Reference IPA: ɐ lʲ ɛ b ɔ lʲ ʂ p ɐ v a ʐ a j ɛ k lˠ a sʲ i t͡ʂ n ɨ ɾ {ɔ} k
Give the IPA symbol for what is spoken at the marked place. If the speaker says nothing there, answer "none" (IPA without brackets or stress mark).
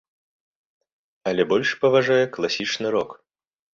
ɔ